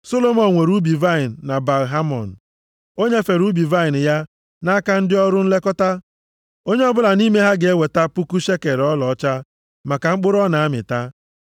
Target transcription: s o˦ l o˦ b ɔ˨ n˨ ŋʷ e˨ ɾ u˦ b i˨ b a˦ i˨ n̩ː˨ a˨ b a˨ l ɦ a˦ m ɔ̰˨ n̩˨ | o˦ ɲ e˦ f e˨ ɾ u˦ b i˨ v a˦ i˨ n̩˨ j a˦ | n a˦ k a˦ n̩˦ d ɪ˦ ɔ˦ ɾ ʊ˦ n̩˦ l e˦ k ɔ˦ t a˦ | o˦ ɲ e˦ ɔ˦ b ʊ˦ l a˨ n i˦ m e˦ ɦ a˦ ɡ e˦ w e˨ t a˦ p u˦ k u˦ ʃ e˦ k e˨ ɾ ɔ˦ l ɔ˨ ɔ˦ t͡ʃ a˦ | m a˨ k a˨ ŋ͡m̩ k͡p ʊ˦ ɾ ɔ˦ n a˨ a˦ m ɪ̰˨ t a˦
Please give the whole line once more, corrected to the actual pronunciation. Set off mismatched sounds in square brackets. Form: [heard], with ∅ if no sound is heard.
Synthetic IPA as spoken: s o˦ l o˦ [m] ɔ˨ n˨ ŋʷ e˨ ɾ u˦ b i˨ [v] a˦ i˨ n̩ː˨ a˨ b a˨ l ɦ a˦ m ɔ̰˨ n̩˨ | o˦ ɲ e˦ f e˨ ɾ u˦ b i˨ v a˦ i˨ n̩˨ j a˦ | n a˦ k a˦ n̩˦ d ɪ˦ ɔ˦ ɾ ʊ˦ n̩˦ l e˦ k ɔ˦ t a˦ | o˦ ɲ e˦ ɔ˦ b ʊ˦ l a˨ n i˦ m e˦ ɦ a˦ ɡ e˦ w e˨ t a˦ p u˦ k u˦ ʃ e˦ k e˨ ɾ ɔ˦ l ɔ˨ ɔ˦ t͡ʃ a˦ | m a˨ k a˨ ŋ͡m̩ k͡p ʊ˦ ɾ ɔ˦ n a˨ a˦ m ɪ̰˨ t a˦